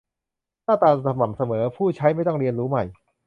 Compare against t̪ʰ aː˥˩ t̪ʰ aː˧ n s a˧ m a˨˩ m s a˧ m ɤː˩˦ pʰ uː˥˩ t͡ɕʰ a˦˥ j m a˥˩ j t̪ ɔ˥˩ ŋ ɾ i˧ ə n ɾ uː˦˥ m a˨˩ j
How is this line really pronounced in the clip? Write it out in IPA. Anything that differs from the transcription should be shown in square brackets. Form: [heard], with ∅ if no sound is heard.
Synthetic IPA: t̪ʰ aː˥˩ [t̪] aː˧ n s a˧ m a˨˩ m s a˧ m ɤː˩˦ pʰ uː˥˩ t͡ɕʰ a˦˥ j m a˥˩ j t̪ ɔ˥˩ ŋ ɾ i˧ ə n ɾ uː˦˥ m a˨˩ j